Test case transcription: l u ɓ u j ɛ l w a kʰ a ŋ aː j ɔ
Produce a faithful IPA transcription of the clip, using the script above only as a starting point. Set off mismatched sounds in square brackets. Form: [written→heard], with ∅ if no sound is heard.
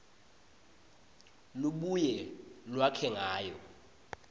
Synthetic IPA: l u ɓ u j ɛ l w a kʰ [a→ɛ] ŋ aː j ɔ